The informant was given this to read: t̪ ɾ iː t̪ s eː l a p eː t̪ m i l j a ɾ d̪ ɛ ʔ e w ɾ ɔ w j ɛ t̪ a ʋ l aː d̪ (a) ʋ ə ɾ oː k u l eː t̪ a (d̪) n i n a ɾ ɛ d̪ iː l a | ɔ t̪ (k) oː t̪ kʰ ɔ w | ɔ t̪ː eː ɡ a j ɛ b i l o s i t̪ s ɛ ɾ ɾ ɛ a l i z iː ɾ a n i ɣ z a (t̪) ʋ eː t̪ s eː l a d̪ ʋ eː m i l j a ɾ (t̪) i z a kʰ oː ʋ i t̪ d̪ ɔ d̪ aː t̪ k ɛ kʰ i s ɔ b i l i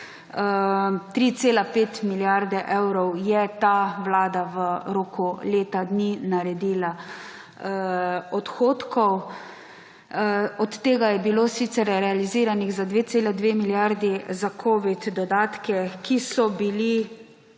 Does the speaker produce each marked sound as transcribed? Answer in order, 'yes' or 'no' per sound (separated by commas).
yes, yes, no, no, no